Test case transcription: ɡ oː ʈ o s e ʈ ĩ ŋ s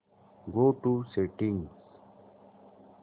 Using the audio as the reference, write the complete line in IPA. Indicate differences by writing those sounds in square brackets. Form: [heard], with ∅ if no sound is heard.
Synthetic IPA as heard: ɡ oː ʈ [u] s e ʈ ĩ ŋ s